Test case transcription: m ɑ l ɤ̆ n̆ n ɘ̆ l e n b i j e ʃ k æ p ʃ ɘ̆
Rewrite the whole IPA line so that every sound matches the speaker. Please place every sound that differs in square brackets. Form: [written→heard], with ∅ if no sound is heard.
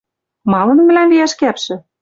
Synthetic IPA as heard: m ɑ l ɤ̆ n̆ [n→m] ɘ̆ l [e→æ] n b i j [e→æ] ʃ k æ p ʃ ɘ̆